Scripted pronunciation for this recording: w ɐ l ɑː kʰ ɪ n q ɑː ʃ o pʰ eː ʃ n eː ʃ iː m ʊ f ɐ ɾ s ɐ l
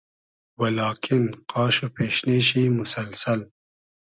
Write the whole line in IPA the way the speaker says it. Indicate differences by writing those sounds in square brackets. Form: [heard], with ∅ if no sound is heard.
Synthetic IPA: w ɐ l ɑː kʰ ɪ n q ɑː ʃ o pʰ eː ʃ n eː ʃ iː m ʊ [s] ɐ [l] s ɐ l